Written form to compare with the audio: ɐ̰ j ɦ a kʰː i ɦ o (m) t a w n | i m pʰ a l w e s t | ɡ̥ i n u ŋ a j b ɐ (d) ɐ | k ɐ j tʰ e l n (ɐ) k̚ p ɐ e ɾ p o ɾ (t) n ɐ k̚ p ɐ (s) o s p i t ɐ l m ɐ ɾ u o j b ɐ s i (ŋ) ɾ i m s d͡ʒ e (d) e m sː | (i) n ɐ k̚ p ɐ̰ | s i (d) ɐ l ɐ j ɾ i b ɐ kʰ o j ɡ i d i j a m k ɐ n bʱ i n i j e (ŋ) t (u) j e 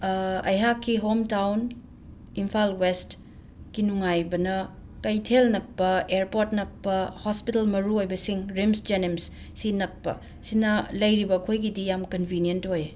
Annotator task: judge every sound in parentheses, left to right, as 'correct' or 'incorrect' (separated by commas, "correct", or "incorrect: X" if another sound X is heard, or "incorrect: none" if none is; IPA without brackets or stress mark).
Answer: correct, incorrect: n, correct, correct, incorrect: h, correct, incorrect: n, correct, incorrect: n, incorrect: n, incorrect: o